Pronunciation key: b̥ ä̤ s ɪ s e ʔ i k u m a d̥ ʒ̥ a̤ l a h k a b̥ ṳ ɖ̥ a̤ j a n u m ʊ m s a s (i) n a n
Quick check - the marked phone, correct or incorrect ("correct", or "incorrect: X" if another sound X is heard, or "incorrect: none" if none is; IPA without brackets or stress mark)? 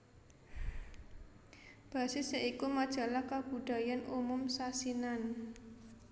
correct